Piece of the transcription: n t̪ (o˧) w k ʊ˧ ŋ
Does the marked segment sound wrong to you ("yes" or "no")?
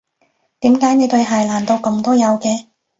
no